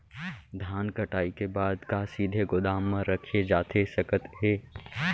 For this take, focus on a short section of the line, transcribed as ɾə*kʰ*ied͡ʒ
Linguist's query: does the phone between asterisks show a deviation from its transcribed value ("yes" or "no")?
no